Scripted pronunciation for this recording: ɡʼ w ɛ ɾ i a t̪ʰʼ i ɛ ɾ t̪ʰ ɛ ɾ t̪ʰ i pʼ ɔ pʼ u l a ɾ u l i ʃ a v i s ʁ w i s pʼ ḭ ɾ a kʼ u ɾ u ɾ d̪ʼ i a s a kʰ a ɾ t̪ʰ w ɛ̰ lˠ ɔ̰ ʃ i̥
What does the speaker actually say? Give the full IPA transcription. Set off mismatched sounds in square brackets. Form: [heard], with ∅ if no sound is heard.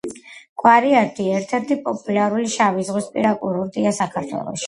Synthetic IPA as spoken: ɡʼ w [a] ɾ i a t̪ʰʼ i ɛ ɾ t̪ʰ ɛ ɾ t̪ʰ i pʼ ɔ pʼ u l a ɾ u l i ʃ a v i [z] ʁ w i s pʼ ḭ ɾ a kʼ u ɾ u ɾ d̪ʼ i a s a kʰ a ɾ t̪ʰ w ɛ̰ lˠ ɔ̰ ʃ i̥